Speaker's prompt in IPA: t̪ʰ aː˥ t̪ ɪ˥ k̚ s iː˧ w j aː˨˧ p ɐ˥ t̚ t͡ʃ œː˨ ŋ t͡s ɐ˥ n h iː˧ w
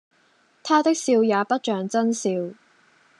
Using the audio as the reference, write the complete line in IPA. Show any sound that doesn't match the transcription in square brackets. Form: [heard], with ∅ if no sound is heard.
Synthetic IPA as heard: t̪ʰ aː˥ t̪ ɪ˥ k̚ s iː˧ w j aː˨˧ p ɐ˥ t̚ t͡ʃ œː˨ ŋ t͡s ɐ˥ n [s] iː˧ w